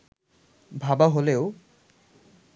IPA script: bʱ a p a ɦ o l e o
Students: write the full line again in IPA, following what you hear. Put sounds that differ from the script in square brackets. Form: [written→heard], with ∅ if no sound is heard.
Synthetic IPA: bʱ a [p→b] a ɦ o l e o